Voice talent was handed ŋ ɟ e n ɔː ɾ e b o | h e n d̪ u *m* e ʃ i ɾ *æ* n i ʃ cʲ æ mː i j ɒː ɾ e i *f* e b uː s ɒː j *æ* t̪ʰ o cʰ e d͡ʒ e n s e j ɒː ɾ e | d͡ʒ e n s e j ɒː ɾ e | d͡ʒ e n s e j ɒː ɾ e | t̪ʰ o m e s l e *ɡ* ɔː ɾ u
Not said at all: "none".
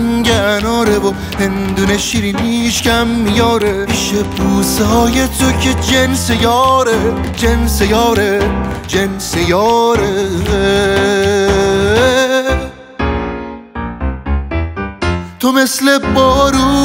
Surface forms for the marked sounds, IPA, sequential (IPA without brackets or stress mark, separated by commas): n, i, ʃ, e, b